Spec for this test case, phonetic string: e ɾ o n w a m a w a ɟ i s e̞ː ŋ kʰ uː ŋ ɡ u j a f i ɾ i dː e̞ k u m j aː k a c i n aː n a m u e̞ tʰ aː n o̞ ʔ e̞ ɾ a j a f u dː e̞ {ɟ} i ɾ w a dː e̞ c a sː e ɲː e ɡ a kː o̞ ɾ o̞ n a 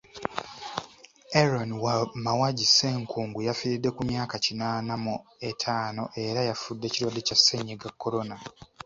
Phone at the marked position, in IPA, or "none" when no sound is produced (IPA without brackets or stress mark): c